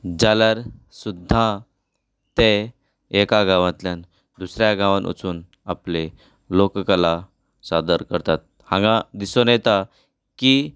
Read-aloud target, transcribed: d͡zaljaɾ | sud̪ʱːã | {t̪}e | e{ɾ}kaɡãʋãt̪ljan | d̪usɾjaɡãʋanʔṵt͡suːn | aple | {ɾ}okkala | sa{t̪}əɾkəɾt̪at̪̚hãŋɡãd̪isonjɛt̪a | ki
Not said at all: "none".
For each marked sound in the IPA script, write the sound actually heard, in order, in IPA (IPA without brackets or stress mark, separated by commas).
t̪, none, l, d̪